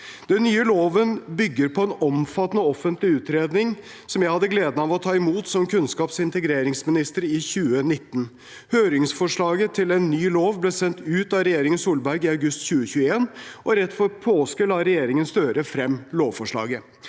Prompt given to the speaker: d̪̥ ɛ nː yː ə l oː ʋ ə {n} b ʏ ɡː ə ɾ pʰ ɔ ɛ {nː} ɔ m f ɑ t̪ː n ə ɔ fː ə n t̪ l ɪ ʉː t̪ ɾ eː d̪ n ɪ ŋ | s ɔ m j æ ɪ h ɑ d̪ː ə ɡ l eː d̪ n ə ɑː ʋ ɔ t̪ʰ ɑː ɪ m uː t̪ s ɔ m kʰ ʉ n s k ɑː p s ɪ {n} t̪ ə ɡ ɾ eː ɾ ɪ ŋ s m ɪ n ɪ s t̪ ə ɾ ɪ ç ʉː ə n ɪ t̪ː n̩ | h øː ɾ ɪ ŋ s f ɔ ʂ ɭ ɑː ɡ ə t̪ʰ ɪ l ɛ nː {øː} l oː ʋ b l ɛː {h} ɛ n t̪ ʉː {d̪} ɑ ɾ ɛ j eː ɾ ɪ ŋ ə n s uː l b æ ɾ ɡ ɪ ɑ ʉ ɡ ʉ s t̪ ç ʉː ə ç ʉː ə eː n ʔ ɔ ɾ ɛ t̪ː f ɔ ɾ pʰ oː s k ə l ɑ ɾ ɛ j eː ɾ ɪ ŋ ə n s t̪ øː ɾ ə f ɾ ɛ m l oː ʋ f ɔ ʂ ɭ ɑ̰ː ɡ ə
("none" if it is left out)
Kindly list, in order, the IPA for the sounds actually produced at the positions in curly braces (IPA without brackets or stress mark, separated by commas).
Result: n, n, n, yː, s, t̪